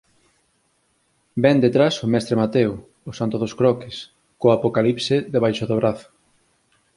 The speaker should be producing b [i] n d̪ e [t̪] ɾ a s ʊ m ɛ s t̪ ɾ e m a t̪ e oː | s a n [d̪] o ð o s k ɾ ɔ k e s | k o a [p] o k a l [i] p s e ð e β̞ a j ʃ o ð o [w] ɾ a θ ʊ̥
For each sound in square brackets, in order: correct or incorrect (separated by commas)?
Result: incorrect, correct, incorrect, correct, correct, incorrect